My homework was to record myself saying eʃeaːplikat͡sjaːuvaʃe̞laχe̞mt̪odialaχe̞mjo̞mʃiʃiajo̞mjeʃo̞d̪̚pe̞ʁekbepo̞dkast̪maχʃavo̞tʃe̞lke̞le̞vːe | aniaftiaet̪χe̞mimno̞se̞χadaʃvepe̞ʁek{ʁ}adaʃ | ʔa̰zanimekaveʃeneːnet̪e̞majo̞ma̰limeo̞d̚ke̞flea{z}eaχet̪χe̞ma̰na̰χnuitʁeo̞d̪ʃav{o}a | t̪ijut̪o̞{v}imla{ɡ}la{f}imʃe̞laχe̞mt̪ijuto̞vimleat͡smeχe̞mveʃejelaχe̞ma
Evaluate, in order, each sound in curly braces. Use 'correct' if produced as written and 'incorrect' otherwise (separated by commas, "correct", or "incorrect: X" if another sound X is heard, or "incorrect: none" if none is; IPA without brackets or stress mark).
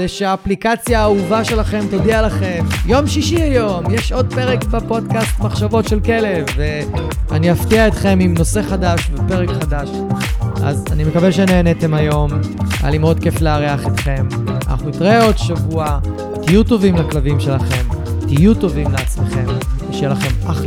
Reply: incorrect: χ, incorrect: ʁ, incorrect: u, correct, incorrect: k, incorrect: v